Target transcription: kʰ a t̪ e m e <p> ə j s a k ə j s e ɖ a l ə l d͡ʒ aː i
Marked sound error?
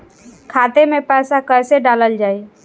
no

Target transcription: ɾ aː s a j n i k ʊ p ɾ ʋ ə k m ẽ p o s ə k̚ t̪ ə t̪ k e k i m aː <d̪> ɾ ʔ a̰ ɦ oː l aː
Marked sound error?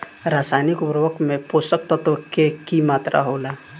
yes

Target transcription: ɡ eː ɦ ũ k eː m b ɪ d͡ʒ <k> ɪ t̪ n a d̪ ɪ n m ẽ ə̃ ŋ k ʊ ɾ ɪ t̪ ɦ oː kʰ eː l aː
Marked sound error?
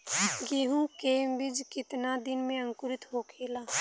no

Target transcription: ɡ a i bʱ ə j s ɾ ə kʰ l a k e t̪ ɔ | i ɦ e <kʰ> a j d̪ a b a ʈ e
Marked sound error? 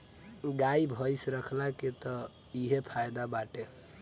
yes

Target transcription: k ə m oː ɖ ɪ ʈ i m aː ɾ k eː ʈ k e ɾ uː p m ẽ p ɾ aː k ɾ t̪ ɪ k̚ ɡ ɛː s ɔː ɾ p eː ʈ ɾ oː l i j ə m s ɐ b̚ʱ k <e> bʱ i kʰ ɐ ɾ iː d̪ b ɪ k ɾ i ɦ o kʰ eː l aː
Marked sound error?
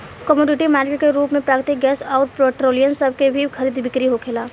no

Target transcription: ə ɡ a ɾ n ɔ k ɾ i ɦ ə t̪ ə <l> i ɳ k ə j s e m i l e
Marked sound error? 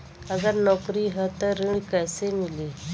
yes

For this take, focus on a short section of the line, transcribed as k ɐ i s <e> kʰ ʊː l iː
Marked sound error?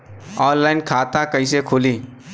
no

